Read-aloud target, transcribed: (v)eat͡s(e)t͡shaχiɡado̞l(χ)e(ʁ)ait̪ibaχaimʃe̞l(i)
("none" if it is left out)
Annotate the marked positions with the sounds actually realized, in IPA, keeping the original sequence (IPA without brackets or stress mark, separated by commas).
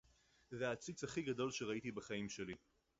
z, i, ʃ, ʁ, i